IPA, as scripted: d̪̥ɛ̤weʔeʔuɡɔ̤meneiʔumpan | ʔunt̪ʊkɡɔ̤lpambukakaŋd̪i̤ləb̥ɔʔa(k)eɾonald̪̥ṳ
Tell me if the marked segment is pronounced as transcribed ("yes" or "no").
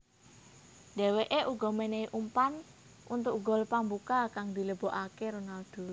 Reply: yes